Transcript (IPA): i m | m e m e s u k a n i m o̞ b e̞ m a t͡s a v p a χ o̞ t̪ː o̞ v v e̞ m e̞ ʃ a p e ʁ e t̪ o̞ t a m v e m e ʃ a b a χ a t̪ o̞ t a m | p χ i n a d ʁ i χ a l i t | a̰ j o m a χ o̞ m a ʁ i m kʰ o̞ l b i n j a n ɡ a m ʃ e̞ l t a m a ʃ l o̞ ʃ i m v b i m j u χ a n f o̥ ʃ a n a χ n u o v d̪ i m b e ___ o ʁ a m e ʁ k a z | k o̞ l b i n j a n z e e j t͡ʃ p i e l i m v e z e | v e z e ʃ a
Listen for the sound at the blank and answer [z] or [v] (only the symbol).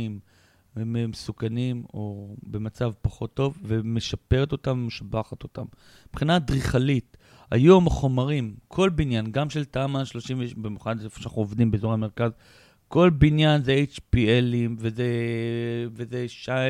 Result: z